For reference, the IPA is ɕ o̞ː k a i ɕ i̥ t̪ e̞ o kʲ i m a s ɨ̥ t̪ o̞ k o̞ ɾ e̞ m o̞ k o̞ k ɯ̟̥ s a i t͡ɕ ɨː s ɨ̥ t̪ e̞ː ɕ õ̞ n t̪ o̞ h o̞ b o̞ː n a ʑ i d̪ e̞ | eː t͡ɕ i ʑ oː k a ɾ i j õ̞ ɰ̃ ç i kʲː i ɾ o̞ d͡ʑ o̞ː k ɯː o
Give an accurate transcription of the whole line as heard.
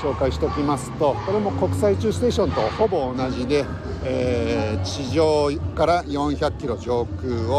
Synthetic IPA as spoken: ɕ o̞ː k a i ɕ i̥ t̪ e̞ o kʲ i m a s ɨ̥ t̪ o̞ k o̞ ɾ e̞ m o̞ k o̞ k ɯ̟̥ s a i t͡ɕ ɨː s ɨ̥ t̪ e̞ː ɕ õ̞ n t̪ o̞ h o̞ b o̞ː n a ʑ i d̪ e̞ | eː t͡ɕ i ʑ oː k a ɾ a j õ̞ ɰ̃ ç a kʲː i ɾ o̞ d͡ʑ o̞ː k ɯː o